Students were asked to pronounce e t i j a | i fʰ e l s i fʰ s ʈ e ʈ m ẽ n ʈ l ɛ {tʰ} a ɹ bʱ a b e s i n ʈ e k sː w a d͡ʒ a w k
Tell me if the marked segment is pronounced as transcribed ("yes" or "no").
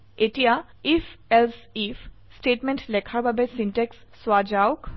no